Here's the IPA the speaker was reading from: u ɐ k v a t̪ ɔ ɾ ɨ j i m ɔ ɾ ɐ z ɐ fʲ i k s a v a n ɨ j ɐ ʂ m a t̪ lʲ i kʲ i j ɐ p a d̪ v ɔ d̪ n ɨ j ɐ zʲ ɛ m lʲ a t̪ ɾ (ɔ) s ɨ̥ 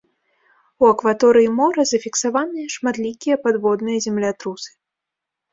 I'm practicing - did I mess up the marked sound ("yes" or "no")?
yes